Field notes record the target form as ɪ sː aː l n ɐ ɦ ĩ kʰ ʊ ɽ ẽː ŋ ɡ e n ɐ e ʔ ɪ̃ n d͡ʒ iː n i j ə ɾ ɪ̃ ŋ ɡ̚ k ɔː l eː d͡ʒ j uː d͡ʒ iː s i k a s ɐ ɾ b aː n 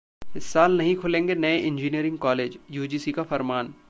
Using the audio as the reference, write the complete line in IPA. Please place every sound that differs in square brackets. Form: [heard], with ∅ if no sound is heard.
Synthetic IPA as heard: ɪ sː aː l n ɐ ɦ ĩ kʰ ʊ [l] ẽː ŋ ɡ e n ɐ e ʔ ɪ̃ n d͡ʒ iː n i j ə ɾ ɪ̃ ŋ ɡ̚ k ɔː l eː d͡ʒ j uː d͡ʒ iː s i k a [f] ɐ ɾ [m] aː n